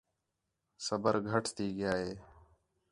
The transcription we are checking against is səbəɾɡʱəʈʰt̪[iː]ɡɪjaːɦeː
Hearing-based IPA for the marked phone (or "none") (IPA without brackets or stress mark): iː